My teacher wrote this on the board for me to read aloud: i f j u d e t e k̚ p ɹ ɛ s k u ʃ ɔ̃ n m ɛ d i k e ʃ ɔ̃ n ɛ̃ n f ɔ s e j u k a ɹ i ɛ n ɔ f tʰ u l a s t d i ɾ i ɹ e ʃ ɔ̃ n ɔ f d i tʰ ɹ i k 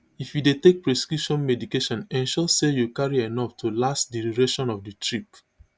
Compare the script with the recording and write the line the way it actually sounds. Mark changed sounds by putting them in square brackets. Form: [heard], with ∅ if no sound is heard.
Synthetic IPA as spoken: i f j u d e t e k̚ p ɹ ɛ s k u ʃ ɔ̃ n m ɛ d i k e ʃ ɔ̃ n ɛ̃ n [ʃ] ɔ s e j u k a ɹ i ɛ n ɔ f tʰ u l a s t d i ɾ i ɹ e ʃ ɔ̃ n ɔ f d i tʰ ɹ i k